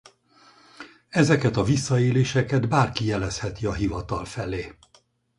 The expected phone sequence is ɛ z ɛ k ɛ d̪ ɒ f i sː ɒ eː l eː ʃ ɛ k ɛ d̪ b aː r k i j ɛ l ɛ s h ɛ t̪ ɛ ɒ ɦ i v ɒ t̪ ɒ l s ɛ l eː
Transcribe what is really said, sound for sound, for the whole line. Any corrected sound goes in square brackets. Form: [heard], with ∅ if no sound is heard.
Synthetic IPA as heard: ɛ z ɛ k ɛ [t̪] ɒ [v] i sː ɒ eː l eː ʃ ɛ k ɛ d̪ b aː r k i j ɛ l ɛ s h ɛ t̪ [i] ɒ ɦ i v ɒ t̪ ɒ l [f] ɛ l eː